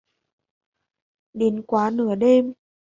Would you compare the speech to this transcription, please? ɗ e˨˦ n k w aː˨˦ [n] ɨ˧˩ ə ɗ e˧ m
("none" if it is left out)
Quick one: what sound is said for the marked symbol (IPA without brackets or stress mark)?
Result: n